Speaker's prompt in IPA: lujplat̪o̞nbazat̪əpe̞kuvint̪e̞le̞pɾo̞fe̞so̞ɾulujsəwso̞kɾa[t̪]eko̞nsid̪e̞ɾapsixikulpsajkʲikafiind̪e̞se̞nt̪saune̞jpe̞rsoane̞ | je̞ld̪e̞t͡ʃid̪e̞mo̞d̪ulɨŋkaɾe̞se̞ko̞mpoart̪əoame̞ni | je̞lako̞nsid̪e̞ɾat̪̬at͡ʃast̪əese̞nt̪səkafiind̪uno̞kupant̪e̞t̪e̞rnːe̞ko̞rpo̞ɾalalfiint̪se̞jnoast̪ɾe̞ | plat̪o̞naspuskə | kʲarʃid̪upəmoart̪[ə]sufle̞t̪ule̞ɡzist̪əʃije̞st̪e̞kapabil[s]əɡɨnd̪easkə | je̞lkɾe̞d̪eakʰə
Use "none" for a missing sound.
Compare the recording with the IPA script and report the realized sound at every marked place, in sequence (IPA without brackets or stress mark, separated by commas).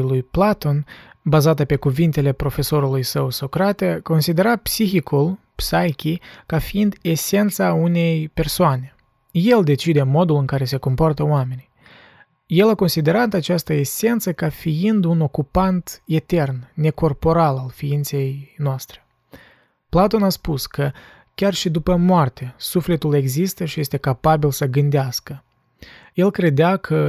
t̪, a, s